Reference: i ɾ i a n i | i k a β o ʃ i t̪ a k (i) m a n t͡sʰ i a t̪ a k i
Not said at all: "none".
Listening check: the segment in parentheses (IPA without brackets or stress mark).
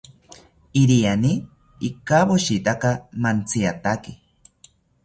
a